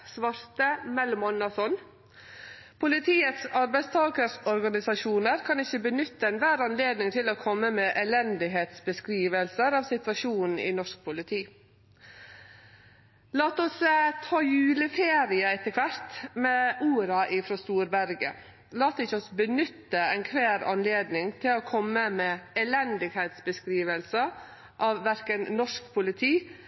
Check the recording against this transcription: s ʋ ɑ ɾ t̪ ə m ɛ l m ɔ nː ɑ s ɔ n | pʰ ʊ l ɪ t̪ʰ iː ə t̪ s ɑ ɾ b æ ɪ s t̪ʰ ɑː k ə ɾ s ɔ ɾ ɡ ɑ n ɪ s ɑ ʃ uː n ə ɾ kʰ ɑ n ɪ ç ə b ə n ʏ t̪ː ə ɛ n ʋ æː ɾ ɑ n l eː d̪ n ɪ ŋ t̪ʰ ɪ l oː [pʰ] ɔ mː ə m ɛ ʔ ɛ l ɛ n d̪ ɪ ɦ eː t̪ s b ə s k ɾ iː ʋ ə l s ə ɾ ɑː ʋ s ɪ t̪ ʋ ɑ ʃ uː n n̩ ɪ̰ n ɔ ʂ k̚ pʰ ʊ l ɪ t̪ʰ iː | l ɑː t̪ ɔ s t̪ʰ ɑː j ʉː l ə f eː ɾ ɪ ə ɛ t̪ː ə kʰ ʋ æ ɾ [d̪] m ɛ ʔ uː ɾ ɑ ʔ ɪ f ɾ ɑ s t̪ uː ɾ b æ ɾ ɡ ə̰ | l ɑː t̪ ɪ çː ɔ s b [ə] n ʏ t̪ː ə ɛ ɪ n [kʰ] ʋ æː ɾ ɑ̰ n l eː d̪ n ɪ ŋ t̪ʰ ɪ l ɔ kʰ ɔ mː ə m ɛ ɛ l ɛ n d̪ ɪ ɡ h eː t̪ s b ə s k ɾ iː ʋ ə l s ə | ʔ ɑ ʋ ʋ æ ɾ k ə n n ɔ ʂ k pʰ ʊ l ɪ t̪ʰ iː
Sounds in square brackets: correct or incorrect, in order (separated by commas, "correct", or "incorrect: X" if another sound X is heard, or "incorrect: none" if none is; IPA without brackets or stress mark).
incorrect: kʰ, incorrect: t̪, correct, correct